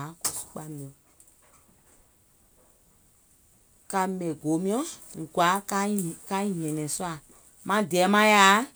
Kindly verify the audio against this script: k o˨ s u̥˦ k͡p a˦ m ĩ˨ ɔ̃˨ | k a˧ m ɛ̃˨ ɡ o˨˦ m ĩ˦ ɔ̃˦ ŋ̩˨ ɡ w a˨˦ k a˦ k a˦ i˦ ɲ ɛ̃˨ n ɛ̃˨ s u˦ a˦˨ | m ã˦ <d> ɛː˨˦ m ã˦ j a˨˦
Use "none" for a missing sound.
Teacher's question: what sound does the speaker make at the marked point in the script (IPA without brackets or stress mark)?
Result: d